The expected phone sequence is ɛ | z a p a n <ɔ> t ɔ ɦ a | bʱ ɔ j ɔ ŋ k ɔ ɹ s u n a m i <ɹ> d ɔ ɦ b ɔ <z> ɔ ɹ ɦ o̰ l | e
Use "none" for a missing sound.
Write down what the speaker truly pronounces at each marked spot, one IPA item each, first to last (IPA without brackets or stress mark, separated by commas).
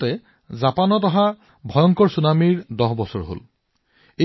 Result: ɔ, ɹ, s